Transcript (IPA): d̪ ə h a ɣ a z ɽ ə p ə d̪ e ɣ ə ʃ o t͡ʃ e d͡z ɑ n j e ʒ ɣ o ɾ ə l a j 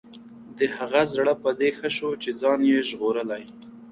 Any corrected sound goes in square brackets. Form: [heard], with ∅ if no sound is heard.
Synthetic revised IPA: d̪ ə h a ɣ a z ɽ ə p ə d̪ e [x] ə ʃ o t͡ʃ e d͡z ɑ n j e ʒ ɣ o ɾ ə l a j